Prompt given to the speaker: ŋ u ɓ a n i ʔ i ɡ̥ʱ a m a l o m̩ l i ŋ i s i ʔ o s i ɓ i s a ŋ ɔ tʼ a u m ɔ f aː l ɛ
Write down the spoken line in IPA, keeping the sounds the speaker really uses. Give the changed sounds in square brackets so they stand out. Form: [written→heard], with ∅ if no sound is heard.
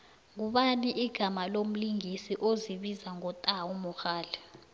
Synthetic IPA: ŋ u ɓ a n i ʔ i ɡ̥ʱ a m a l o m̩ l i ŋ i s i ʔ o [s→z] i ɓ i [s→z] a ŋ ɔ tʼ a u m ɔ [f→x] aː l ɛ